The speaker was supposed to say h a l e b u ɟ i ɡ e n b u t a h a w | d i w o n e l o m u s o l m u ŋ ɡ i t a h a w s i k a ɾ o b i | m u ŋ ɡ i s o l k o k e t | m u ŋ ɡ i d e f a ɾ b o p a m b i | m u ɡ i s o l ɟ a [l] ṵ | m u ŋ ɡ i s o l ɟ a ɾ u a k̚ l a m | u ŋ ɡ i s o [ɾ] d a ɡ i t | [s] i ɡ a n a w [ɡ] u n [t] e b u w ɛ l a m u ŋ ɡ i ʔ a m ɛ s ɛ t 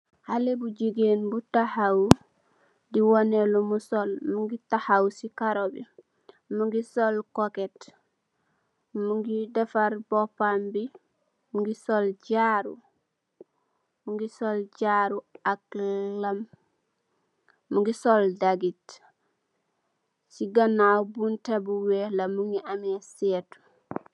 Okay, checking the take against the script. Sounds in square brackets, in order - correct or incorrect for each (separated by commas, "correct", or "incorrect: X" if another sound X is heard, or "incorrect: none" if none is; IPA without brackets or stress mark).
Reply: incorrect: ɾ, incorrect: l, correct, incorrect: b, correct